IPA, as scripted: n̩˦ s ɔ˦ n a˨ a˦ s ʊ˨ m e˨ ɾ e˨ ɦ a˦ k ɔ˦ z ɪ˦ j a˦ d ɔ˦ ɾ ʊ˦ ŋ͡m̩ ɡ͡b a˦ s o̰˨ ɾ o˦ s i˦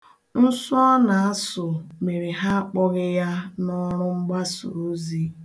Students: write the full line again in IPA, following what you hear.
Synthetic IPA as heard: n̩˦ s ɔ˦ n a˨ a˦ s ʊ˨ m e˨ ɾ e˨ ɦ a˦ k͡p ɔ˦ ɣ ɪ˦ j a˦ n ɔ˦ ɾ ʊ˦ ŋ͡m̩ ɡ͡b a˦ s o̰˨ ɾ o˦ z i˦